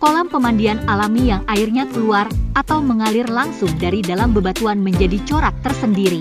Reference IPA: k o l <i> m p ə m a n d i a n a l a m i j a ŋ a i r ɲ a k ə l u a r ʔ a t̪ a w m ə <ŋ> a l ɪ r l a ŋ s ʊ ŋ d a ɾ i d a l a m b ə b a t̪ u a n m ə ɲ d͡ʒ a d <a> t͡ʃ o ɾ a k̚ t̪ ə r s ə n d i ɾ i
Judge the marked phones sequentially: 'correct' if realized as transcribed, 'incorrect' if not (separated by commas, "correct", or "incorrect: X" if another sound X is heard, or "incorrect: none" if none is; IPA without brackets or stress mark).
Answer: incorrect: a, correct, incorrect: i